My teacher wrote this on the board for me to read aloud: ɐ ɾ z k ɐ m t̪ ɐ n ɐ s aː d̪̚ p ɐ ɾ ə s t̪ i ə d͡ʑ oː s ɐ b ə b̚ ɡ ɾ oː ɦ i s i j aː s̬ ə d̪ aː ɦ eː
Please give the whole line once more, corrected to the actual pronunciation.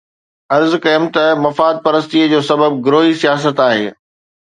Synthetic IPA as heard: ɐ ɾ z k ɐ m t̪ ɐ m ɐ f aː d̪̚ p ɐ ɾ ə s t̪ i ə d͡ʑ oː s ɐ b ə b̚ ɡ ɾ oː ɦ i s i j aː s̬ ə t̪ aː ɦ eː